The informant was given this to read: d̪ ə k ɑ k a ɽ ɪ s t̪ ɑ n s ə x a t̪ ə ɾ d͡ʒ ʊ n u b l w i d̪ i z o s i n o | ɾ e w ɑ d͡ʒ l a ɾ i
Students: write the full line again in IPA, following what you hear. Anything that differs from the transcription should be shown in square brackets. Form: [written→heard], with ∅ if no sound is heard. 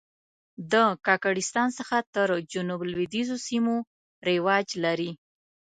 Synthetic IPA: d̪ ə k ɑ k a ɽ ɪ s t̪ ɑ n s ə x a t̪ ə ɾ d͡ʒ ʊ n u b l w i d̪ i z o s i [n→m] o | ɾ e w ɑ d͡ʒ l a ɾ i